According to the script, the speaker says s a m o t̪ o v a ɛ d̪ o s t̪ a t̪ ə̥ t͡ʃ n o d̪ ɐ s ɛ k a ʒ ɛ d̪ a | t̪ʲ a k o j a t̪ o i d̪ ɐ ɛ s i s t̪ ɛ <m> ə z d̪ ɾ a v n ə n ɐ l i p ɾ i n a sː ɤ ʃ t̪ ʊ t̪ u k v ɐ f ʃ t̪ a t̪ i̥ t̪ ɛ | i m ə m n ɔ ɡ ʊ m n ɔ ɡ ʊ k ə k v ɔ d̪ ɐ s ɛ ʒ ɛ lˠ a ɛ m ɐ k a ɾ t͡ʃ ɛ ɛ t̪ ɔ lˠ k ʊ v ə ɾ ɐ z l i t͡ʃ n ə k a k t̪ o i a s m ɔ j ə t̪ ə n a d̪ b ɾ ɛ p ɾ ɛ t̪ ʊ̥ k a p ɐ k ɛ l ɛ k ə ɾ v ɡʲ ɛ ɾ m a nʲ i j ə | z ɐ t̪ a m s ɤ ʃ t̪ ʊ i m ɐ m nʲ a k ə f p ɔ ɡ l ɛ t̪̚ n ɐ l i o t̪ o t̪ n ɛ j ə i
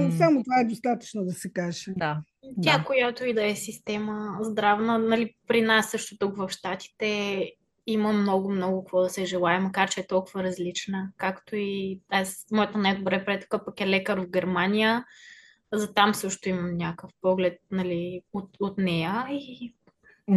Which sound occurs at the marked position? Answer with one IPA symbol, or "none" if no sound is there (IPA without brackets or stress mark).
m